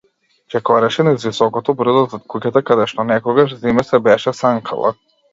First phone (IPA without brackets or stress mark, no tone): t͡ʃ